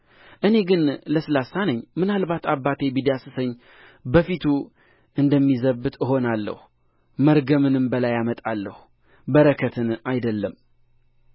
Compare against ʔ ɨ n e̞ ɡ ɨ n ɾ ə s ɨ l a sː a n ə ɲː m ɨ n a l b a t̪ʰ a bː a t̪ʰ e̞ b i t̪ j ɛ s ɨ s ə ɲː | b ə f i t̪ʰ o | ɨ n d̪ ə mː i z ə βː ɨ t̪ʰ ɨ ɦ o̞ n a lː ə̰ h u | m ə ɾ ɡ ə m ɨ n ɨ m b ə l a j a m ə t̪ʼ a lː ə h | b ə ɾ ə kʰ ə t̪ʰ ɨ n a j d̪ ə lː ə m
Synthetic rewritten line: ʔ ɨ n e̞ ɡ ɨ n l ə s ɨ l a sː a n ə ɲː m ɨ n a l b a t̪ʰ a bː a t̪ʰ e̞ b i d̪ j a s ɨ s ə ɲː | b ə f i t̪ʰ u | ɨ n d̪ ə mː i z ə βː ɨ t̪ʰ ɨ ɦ o̞ n a lː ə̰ h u | m ə ɾ ɡ ə m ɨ n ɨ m b ə l a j a m ə t̪ʼ a lː ə h | b ə ɾ ə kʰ ə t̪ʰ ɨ n a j d̪ ə lː ə m